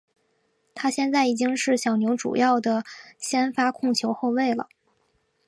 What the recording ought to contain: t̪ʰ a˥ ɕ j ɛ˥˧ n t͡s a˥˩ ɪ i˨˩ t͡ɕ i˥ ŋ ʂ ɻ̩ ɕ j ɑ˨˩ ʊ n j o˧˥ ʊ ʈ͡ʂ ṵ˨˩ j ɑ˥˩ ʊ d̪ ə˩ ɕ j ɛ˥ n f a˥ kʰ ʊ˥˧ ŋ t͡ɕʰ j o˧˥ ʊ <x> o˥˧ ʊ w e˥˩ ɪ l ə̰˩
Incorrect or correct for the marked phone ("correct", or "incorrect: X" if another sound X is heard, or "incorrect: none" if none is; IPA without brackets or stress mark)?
correct